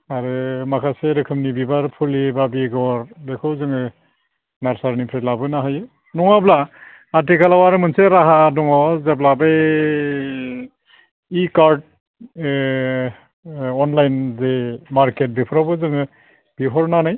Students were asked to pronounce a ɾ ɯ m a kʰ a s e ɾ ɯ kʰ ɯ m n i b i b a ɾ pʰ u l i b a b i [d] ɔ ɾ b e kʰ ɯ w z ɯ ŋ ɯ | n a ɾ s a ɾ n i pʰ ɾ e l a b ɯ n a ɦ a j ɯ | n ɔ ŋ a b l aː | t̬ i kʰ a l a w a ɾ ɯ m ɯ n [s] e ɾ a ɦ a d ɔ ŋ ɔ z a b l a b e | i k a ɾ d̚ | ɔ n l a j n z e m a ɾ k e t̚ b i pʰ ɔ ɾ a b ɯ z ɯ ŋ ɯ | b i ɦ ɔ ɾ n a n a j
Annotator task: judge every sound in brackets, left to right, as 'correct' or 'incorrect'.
incorrect, correct

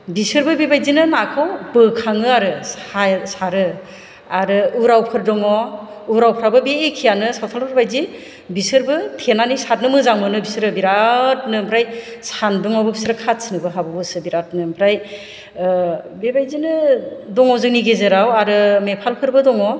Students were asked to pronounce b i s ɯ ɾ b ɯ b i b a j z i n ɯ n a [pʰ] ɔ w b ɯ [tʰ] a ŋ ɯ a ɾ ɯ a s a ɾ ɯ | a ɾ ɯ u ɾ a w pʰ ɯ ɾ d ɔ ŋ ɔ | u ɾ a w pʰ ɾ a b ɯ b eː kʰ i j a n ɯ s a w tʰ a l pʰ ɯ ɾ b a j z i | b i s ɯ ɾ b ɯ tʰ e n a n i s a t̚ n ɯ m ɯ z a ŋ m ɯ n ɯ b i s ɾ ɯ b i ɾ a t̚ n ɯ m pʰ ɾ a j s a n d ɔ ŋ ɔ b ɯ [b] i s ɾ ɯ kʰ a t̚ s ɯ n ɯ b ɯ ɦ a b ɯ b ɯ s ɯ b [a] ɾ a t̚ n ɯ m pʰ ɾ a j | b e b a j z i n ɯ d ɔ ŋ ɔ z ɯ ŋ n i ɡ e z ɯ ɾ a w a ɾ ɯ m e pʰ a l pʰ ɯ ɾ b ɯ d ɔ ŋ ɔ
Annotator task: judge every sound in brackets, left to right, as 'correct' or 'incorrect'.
incorrect, incorrect, correct, incorrect

